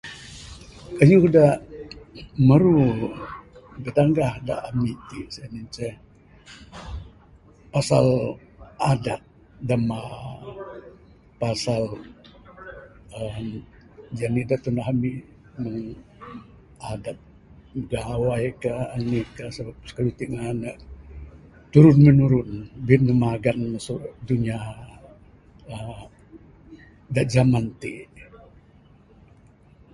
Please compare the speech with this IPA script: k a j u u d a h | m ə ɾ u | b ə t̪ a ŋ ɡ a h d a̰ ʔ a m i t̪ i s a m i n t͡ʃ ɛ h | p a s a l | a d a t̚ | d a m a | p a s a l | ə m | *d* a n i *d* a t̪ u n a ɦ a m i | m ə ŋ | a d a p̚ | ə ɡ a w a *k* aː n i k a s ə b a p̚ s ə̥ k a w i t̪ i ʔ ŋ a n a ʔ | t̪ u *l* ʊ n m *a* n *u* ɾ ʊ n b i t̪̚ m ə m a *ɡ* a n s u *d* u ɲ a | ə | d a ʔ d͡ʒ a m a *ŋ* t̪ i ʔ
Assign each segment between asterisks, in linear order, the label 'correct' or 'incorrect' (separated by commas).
incorrect, correct, correct, incorrect, incorrect, correct, correct, correct, incorrect